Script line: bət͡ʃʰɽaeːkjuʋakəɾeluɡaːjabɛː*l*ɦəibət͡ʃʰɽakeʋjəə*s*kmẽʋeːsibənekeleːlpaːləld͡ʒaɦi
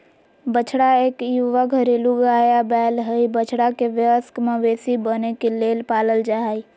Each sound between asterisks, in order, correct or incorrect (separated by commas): correct, correct